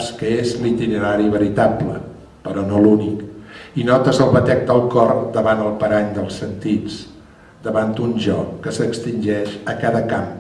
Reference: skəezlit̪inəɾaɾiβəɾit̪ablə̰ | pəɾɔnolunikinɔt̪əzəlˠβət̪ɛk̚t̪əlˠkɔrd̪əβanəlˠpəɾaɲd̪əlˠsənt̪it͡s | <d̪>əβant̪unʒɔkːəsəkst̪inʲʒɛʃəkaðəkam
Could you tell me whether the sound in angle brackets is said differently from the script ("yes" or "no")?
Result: no